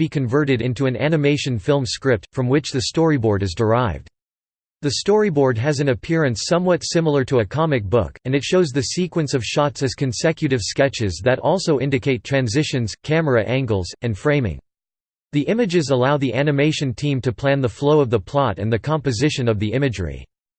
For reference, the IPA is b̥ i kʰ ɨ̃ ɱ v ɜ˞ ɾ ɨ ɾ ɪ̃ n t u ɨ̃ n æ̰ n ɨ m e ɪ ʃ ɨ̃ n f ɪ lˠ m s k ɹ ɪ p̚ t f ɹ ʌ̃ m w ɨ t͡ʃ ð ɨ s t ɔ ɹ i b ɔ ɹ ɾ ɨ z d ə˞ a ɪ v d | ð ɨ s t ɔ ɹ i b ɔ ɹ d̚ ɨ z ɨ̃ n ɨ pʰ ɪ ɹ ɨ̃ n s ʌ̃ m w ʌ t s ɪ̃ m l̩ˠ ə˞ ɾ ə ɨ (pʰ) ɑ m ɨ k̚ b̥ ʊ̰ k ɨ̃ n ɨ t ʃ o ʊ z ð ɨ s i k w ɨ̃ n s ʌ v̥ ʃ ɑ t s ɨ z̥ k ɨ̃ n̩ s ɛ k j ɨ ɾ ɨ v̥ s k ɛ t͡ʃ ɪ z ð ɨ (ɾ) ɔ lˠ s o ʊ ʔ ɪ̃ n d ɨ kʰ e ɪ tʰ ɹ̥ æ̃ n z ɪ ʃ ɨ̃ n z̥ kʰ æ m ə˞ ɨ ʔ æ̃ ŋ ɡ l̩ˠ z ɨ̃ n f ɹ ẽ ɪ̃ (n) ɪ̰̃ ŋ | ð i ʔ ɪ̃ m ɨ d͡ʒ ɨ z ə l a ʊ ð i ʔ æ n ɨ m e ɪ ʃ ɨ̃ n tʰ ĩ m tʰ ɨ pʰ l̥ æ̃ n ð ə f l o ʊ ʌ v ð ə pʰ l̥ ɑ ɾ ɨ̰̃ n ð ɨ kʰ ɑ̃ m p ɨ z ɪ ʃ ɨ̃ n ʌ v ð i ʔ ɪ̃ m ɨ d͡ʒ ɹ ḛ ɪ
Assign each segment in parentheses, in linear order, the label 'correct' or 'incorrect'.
incorrect: kʰ, correct, incorrect: m

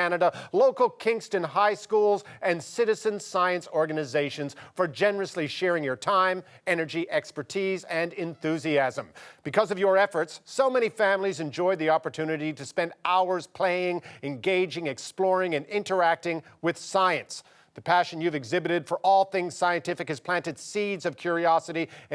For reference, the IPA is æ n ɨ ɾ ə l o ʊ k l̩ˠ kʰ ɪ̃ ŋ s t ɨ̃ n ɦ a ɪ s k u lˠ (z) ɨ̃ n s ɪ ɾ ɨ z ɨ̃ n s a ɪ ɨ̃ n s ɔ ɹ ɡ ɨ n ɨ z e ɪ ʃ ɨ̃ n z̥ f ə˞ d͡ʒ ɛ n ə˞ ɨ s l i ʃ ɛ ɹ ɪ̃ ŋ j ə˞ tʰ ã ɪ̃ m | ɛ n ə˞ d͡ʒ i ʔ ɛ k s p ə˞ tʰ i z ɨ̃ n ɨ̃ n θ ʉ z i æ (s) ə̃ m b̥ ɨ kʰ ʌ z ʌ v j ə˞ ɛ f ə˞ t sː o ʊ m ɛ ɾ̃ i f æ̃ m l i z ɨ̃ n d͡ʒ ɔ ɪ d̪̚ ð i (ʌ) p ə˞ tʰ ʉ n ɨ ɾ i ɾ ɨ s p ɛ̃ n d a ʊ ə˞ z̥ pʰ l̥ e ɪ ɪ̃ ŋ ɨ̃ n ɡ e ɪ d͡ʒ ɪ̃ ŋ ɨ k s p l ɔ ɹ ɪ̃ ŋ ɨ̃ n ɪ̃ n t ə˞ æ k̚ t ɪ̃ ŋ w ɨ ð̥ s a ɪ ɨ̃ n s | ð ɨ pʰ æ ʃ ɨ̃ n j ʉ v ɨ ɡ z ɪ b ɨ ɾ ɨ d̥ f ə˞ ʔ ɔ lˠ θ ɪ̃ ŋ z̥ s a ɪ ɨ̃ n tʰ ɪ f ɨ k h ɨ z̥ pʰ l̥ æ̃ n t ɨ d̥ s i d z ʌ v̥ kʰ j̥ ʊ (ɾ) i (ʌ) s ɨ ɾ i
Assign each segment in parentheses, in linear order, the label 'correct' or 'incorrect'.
correct, incorrect: z, incorrect: ɑ, incorrect: ɹ, incorrect: ɑ

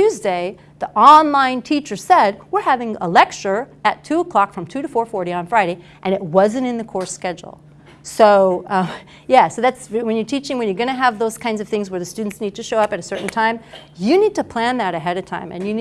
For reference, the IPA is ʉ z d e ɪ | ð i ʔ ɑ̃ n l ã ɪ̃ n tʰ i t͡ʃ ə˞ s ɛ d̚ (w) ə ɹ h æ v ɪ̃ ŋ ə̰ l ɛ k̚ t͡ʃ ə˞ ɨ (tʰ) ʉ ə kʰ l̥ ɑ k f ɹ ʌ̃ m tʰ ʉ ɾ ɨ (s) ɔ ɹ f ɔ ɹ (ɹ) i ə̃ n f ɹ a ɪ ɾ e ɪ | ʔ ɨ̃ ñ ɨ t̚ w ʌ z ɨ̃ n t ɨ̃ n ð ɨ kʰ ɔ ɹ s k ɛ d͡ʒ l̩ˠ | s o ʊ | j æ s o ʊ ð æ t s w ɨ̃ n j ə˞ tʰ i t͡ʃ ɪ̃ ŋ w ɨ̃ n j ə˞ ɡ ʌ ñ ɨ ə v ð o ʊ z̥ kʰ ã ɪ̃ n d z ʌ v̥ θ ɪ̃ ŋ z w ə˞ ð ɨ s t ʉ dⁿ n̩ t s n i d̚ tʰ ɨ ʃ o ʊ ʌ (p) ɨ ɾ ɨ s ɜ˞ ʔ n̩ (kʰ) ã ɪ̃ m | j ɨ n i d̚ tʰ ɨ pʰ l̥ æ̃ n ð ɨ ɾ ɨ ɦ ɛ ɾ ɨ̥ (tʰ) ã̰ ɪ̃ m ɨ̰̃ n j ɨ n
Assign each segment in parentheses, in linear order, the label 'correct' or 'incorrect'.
correct, correct, incorrect: f, incorrect: ɾ, correct, incorrect: tʰ, correct

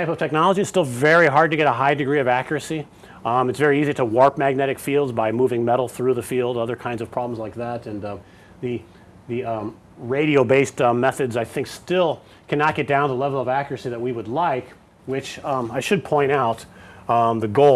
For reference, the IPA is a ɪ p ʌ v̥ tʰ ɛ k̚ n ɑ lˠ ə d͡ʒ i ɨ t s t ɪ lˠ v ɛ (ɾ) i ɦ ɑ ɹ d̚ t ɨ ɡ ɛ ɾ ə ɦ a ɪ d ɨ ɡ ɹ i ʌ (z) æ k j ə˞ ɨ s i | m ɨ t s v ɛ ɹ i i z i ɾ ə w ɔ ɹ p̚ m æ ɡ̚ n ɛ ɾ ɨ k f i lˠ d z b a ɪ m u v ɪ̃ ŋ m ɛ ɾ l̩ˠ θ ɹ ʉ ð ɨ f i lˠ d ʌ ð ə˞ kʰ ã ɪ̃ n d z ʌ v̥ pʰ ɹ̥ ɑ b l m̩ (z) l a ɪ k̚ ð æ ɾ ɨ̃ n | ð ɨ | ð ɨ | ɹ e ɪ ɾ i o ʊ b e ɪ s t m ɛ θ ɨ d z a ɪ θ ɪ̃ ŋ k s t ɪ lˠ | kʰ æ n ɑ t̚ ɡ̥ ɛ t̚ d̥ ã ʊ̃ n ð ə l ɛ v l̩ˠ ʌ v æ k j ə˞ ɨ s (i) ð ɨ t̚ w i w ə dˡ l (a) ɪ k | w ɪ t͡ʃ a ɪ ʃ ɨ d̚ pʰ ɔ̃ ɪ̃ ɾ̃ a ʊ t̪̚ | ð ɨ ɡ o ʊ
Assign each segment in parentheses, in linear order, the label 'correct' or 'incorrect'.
incorrect: ɹ, incorrect: v, correct, correct, correct

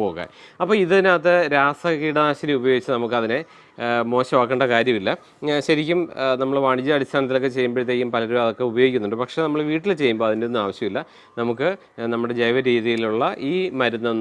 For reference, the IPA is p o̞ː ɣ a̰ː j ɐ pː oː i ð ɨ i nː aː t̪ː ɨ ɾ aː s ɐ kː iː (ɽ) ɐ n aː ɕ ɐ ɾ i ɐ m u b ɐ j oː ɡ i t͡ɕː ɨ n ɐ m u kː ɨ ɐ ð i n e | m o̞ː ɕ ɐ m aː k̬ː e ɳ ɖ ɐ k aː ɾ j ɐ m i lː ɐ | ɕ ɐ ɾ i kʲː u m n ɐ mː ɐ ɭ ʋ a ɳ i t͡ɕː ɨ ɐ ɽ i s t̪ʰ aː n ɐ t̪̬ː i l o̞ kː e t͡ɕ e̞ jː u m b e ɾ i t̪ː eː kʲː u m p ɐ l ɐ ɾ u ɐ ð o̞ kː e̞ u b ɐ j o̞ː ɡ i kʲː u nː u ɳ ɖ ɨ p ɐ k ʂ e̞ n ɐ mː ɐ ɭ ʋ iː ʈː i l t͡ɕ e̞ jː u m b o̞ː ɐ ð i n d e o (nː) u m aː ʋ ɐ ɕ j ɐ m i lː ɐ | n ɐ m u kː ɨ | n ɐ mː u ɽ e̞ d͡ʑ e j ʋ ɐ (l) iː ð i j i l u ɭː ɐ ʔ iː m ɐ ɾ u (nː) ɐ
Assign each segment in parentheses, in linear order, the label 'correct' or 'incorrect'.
correct, correct, incorrect: ɾ, correct

